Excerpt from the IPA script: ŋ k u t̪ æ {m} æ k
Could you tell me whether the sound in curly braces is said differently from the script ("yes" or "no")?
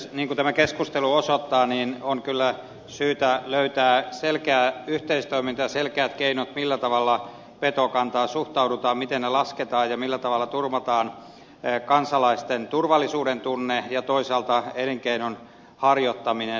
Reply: no